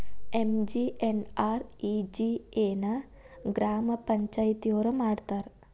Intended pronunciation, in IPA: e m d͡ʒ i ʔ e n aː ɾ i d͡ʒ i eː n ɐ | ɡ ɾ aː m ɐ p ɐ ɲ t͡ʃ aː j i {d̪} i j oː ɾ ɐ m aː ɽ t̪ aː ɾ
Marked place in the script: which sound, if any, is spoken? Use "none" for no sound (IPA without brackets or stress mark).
t̪